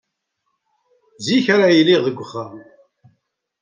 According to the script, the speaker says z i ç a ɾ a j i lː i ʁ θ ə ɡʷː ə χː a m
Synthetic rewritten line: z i ç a ɾ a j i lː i ʁ ð ə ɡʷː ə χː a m